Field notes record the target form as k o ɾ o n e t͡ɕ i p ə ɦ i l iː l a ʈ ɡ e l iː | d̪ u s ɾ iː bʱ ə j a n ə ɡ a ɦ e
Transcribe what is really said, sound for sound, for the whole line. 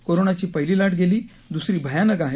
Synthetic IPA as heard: k o ɾ o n a t͡ɕ iː p ə ɦ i l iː l a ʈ ɡ e l iː | d̪ u s ɾ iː bʱ ə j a n ə ɡ a ɦ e

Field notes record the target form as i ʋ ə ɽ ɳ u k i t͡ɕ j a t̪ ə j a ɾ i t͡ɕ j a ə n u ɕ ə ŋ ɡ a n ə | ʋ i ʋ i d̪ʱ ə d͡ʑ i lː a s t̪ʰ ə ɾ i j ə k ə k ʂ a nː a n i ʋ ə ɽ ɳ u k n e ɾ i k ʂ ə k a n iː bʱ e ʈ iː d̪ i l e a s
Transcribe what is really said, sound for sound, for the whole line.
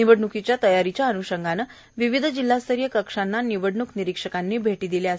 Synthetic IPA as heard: i ʋ ə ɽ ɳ u k i t͡ɕ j a t̪ ə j a ɾ i t͡ɕ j a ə n u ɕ ə ŋ ɡ a n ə | ʋ i ʋ i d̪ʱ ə d͡ʑ i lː a s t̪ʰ ə ɾ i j ə k ə k ʂ a nː a n i ʋ ə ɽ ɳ u k n i ɾ i k ʂ ə k a nː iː bʱ e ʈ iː d̪ i l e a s

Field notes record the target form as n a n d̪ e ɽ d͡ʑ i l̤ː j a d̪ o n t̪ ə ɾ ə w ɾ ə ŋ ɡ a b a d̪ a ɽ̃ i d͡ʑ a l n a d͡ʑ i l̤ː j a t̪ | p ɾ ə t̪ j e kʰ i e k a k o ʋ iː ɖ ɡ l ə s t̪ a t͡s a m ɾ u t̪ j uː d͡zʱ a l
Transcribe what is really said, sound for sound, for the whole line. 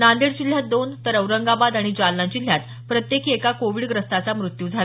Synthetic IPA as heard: n a n d̪ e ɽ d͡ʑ i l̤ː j a d̪ o n t̪ ə ɾ ə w ɾ ə ŋ ɡ a b a d̪ a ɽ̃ i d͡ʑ a l n a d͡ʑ i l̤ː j a t̪ | p ɾ ə t̪ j e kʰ i e k a k o ʋ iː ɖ ɡ ɾ ə s t̪ a t͡s a m ɾ u t̪ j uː d͡zʱ a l

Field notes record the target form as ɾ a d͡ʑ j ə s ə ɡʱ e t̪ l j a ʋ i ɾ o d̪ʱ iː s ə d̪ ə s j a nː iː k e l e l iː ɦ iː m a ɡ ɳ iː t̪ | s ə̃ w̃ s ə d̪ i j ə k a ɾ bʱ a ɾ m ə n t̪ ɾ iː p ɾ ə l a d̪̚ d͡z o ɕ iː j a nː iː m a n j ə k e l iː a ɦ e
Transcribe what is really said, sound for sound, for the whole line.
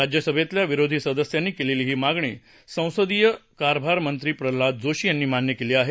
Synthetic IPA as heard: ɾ a d͡ʑ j ə s ə bʱ e t̪ l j a ʋ i ɾ o d̪ʱ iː s ə d̪ ə s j a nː iː k e l e l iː ɦ iː m a ɡ ɳ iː | s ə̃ w̃ s ə d̪ i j ə k a ɾ bʱ a ɾ m ə n t̪ ɾ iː p ɾ ə l a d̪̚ d͡z o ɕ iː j a nː iː m a n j ə k e l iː a ɦ e

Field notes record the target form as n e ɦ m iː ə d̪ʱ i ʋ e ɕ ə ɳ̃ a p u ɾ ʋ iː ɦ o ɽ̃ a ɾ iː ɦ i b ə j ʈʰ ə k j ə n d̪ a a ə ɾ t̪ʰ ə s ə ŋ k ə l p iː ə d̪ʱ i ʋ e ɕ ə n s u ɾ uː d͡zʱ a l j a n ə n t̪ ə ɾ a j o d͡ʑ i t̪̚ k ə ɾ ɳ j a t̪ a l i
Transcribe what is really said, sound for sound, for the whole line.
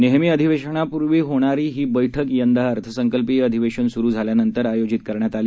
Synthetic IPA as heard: n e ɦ m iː ə d̪ʱ i ʋ e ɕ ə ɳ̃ a p u ɾ ʋ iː ɦ o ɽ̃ a ɾ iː ɦ iː b ə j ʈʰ ə k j ə n d̪ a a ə ɾ t̪ʰ ə s ə ŋ k ə l p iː ə d̪ʱ i ʋ e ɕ ə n s u ɾ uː d͡zʱ a l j a n ə n t̪ ə ɾ a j o d͡ʑ i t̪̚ k ə ɾ ɳ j a t̪ a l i

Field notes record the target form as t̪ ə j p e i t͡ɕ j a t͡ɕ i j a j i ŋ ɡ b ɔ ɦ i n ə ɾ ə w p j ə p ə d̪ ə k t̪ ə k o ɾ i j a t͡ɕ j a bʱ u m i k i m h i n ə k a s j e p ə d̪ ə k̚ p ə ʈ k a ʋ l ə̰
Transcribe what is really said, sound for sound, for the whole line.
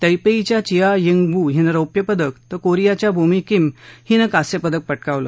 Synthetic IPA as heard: t̪ ə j p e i t͡ɕ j a t͡ɕ i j a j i ŋ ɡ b u ɦ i n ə ɾ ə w p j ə p ə d̪ ə k t̪ ə k o ɾ i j a t͡ɕ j a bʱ u m i k i m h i n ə k a s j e p ə d̪ ə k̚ p ə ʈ k a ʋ l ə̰

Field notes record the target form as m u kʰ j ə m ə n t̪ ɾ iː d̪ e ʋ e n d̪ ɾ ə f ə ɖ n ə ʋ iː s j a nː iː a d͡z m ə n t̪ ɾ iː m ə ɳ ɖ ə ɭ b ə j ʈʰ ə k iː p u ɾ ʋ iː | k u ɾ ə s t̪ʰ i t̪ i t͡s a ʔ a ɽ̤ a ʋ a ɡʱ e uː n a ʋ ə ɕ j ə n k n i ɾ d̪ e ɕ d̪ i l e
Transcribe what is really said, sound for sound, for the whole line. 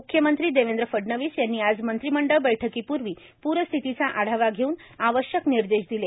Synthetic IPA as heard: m u kʰ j ə m ə n t̪ ɾ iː d̪ e ʋ e n d̪ ɾ ə f ə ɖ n ə ʋ iː s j a nː iː a d͡z m ə n t̪ ɾ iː m ə ɳ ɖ ə ɭ b ə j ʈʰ ə k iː p u ɾ ʋ iː | p u ɾ ə s t̪ʰ i t̪ i t͡s a ʔ a ɽ̤ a ʋ a ɡʱ e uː n a ʋ ə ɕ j ə k n i ɾ d̪ e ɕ d̪ i l e

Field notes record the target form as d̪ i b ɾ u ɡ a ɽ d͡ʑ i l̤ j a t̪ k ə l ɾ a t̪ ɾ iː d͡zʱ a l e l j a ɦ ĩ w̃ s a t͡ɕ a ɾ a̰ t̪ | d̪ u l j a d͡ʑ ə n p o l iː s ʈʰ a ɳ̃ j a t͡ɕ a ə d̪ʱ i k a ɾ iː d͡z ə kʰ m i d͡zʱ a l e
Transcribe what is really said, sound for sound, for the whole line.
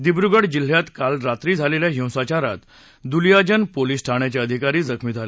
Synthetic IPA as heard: d̪ i b ɾ u ɡ ə ɽ d͡ʑ i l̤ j a t̪ k a l ɾ a t̪ ɾ iː d͡zʱ a l e l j a ɦ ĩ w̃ s a t͡ɕ a ɾ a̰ t̪ | d̪ u l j a d͡ʑ ə n p o l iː s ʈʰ a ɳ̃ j a t͡ɕ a ə d̪ʱ i k a ɾ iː d͡z ə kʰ m i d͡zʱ a l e

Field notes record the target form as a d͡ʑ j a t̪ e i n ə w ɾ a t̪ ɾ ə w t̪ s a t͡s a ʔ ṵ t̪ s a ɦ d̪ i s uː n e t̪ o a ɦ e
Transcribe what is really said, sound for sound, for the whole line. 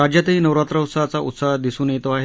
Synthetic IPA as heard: a d͡ʑ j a t̪ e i n ə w ɾ a t̪ ɾ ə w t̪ s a t͡s a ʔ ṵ t̪ s a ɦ d̪ i s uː n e t̪ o a ɦ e

